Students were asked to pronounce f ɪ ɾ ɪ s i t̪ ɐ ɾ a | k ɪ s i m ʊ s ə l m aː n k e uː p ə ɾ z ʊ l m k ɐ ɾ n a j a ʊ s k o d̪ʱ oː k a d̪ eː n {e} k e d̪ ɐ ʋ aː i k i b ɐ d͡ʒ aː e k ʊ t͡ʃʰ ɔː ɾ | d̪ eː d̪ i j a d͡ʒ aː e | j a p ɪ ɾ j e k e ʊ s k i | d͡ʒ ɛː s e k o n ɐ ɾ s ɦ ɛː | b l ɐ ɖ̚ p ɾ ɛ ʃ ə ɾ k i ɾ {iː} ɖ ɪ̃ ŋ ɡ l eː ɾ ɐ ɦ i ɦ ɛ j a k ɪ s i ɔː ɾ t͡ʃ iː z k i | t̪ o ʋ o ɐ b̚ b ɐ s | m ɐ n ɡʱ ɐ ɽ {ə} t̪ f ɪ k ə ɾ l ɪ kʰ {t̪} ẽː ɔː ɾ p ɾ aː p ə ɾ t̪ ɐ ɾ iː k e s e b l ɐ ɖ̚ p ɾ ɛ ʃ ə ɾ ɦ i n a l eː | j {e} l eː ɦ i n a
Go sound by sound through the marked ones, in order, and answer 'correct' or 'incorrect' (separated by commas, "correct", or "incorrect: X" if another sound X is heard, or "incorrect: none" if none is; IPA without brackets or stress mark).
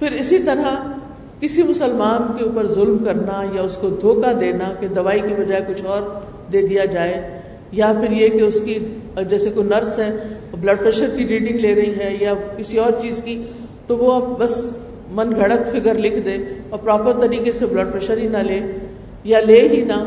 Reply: incorrect: a, correct, correct, incorrect: d̪, incorrect: a